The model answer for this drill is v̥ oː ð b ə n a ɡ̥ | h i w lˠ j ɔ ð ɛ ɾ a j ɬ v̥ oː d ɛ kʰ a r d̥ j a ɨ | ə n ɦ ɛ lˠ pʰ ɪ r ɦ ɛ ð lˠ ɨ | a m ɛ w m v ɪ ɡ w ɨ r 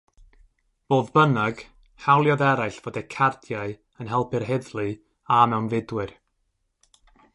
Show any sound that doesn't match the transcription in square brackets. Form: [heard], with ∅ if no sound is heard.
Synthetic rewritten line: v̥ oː ð b ə n a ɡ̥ | h [a] w lˠ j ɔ ð ɛ ɾ a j ɬ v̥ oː d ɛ kʰ a r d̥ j a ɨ | ə n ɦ ɛ lˠ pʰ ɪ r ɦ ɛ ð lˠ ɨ | a m ɛ w [n] v ɪ [d] w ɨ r